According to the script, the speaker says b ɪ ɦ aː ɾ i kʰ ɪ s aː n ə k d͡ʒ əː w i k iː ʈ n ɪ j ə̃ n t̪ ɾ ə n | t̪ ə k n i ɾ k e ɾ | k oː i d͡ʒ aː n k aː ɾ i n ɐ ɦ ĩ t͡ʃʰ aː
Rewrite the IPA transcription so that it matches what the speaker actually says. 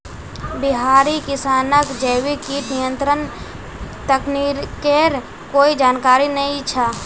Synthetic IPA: b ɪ ɦ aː ɾ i k ɪ s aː n ə k d͡ʒ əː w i k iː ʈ n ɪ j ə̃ n t̪ ɾ ə n | t̪ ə k n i ɾ k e ɾ | k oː i d͡ʒ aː n k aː ɾ i n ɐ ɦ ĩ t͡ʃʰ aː